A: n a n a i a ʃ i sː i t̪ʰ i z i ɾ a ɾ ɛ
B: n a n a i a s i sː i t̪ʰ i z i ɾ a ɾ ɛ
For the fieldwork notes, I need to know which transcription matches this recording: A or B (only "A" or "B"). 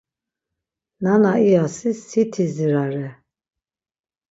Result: B